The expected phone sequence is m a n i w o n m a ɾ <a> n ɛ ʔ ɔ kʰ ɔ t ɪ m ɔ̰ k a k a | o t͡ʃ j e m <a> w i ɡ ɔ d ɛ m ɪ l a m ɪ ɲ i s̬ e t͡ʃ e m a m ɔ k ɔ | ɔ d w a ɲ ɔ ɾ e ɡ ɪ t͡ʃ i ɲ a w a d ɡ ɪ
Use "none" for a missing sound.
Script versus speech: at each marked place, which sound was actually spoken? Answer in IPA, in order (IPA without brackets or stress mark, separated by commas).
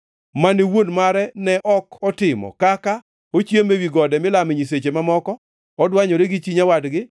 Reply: ɛ, e